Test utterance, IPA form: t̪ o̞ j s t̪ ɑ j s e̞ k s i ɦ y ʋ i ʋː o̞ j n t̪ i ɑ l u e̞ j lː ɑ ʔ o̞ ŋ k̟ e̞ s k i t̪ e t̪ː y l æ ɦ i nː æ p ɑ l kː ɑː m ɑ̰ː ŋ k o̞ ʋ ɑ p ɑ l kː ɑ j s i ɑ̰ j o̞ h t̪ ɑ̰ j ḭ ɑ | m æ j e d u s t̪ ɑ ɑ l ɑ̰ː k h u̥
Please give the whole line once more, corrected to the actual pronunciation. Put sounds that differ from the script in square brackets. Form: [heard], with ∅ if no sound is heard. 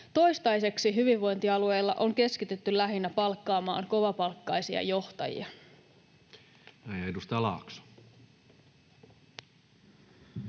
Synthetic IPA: t̪ o̞ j s t̪ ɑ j s e̞ k s i ɦ y ʋ i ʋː o̞ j n t̪ i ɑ l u e̞ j lː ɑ ʔ o̞ ŋ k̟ e̞ s k i t̪ e t̪ː y l æ ɦ i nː æ p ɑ l kː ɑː m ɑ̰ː ŋ k o̞ ʋ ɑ p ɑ l kː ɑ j s i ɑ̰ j o̞ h t̪ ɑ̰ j ḭ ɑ | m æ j e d u s t̪ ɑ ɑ l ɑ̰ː k [s] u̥